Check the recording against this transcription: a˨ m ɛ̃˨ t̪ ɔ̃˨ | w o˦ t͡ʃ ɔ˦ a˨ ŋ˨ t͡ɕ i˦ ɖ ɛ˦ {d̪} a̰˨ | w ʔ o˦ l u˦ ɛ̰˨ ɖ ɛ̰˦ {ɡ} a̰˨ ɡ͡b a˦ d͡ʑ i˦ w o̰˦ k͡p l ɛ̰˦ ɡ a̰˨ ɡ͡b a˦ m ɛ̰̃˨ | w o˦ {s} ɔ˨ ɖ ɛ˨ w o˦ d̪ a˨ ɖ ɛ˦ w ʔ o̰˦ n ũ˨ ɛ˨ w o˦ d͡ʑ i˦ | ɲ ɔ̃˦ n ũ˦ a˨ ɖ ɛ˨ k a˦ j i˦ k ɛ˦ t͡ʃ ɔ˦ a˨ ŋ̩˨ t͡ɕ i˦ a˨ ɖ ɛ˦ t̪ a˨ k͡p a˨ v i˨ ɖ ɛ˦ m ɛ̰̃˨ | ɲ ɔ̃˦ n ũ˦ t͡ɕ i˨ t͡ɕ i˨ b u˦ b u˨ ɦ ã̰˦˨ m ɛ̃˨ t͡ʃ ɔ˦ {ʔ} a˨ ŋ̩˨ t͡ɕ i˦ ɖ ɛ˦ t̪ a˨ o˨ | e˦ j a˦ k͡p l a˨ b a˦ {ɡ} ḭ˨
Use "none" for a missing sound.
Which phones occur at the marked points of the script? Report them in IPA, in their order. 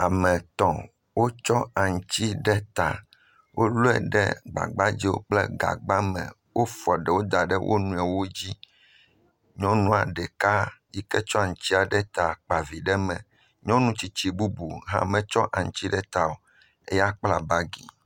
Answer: t̪, ɡ͡b, f, ʔ, ɡ

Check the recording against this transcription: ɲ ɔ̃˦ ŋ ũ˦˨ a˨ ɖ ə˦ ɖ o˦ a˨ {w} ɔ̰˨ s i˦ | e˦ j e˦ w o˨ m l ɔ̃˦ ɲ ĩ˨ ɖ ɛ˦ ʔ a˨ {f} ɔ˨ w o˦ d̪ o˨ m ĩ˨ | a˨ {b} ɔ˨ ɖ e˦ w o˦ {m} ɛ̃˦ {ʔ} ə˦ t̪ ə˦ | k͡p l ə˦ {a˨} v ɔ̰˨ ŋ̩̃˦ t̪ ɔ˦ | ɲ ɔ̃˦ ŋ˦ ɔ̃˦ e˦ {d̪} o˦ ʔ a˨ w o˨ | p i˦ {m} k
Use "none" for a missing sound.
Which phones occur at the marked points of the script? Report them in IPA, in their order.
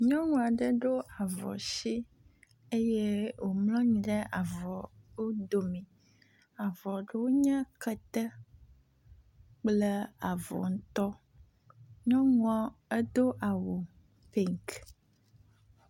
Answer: v, v, v, ɲ, k, a˨, d̪, ŋ

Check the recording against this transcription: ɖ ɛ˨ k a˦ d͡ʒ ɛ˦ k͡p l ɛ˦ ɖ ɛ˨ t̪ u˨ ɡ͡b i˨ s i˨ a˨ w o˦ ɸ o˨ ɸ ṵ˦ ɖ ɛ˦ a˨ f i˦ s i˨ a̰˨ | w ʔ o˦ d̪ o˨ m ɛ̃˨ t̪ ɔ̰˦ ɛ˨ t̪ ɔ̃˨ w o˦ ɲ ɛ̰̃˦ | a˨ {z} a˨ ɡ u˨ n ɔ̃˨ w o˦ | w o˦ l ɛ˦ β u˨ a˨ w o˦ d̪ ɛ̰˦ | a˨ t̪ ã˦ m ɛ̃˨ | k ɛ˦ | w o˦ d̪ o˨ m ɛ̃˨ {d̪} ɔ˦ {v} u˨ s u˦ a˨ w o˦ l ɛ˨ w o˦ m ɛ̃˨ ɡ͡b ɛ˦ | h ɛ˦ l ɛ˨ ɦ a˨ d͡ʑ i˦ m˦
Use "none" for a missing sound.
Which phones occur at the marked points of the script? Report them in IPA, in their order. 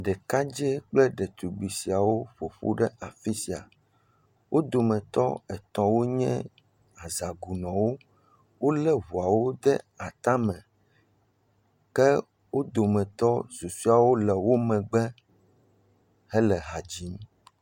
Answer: z, t̪, z

